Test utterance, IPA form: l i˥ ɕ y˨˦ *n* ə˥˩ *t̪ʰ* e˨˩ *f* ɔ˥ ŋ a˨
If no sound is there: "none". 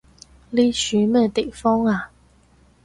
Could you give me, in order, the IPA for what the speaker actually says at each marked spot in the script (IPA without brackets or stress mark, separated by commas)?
m, t̪, f